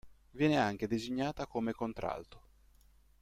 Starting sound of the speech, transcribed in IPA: v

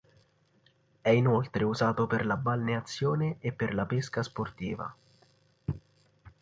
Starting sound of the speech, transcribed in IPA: ɛ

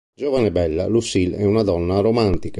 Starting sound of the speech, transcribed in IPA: d͡ʒ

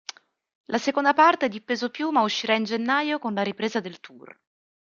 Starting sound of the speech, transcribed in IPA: l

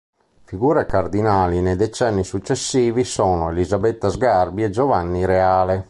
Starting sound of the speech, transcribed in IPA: f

